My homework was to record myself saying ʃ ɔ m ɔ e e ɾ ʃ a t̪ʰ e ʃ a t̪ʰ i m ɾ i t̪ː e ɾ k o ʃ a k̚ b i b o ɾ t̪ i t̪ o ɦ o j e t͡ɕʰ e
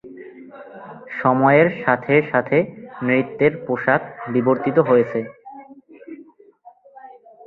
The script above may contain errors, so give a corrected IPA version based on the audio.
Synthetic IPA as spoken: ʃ ɔ m ɔ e e ɾ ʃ a t̪ʰ e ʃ a t̪ʰ e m ɾ i t̪ː e ɾ p o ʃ a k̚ b i b o ɾ t̪ i t̪ o ɦ o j e t͡ɕʰ e